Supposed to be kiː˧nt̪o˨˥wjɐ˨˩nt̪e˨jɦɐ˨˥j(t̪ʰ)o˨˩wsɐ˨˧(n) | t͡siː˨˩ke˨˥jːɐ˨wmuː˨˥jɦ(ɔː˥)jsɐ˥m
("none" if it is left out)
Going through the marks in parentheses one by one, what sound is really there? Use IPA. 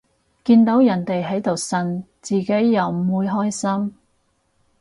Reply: t̪, n, ɔː˥

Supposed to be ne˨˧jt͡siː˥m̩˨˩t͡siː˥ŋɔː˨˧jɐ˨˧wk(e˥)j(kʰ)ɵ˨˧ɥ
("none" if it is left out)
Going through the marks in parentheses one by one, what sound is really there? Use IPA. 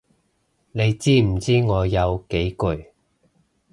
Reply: e˨˥, k

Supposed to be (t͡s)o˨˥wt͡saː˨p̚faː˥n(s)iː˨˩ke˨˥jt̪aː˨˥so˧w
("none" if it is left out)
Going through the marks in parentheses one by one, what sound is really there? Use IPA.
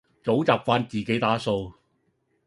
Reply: t͡s, t͡s

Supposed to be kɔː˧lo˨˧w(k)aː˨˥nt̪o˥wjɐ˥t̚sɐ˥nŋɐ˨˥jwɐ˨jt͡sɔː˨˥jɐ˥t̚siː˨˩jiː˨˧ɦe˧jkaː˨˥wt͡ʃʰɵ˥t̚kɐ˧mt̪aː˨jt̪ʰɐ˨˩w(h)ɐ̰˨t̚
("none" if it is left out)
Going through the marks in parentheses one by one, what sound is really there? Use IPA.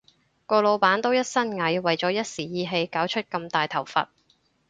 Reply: p, f

